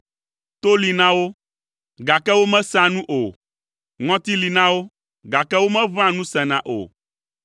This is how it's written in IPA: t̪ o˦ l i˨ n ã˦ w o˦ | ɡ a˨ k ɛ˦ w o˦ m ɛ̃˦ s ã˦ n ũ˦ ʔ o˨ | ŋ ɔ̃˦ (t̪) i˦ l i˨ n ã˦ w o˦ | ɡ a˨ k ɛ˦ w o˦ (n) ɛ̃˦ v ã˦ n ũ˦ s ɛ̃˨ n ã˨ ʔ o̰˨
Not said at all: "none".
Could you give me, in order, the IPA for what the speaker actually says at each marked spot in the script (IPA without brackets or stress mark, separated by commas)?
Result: t̪, m